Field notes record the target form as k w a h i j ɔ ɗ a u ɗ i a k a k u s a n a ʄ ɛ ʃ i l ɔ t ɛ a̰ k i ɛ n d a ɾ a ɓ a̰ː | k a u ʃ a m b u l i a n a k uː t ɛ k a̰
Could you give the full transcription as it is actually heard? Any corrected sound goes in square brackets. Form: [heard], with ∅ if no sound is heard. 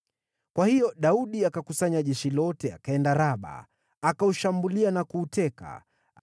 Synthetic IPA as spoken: k w a h i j ɔ ɗ a u ɗ i a k a k u s a [ɲ] a ʄ ɛ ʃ i l ɔ t ɛ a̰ k [a] ɛ n d a ɾ a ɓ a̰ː | k a u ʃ a m b u l i a n a k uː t ɛ k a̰